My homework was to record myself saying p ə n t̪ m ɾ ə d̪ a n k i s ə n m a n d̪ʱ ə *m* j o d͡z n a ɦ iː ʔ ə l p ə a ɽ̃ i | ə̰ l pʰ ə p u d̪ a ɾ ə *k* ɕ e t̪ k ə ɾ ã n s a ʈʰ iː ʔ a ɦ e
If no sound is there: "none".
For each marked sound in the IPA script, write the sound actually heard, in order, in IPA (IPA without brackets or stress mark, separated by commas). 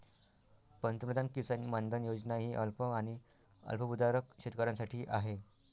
n, k